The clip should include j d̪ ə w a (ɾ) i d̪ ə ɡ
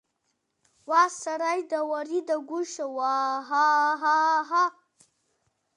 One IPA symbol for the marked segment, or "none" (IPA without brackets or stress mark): ɾ